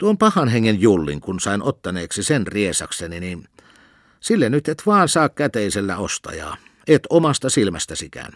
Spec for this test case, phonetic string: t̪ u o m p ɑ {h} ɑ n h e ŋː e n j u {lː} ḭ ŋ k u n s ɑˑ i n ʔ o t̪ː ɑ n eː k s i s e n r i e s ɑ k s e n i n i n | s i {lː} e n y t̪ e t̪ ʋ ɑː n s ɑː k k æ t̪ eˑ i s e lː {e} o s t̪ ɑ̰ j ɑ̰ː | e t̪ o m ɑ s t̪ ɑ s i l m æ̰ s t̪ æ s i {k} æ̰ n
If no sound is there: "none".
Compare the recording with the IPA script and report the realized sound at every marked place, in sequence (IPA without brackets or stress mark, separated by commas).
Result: h, lː, lː, æ, k